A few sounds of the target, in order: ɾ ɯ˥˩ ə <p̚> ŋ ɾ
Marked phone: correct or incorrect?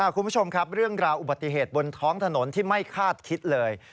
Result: incorrect: none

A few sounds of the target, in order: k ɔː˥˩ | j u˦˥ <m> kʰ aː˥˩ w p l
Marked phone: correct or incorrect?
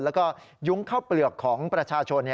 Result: incorrect: ŋ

